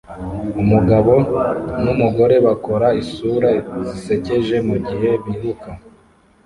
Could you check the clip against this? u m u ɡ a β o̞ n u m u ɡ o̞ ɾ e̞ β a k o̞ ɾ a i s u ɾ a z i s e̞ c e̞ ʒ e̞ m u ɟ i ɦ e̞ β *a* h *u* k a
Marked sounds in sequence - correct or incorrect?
incorrect, correct

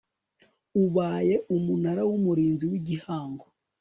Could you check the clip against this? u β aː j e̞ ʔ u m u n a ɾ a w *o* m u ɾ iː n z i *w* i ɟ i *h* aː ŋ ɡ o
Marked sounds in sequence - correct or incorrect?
incorrect, correct, correct

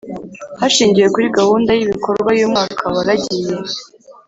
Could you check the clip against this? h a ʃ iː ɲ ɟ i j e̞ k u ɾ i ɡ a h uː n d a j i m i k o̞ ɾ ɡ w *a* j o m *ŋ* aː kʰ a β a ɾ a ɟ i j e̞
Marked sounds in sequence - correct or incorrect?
correct, correct

